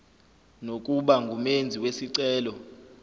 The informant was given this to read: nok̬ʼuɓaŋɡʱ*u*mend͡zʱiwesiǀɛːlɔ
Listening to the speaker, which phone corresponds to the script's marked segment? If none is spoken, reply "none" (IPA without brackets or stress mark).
u